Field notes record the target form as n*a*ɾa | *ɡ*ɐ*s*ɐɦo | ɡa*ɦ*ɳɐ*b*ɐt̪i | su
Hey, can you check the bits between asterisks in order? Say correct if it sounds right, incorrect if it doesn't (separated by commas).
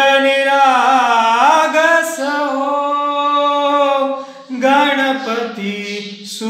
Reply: incorrect, correct, correct, incorrect, incorrect